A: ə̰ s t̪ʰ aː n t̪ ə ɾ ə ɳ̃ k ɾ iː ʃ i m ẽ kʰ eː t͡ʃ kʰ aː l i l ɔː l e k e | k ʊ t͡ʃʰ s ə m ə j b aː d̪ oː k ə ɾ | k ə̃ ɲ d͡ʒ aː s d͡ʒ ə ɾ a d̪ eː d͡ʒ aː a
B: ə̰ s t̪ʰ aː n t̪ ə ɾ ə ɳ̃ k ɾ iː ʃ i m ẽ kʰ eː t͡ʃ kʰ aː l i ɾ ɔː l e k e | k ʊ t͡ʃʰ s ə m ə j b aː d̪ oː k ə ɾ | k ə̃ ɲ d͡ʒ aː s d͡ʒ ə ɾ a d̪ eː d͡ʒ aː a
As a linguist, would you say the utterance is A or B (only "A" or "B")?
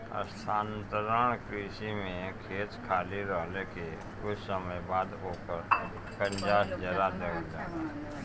B